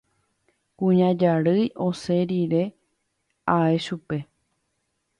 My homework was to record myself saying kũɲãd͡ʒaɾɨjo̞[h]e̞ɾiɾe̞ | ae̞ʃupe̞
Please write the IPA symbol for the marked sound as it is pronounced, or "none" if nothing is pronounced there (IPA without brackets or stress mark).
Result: s